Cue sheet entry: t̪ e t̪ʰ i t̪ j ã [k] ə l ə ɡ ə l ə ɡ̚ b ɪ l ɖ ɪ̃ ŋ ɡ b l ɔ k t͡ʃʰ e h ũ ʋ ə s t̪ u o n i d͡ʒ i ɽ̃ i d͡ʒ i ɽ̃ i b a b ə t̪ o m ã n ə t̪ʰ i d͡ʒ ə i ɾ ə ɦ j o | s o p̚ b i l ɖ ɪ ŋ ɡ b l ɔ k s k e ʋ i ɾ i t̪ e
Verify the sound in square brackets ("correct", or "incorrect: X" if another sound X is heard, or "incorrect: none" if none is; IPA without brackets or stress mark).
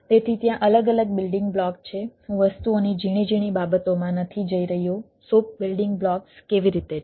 incorrect: ʔ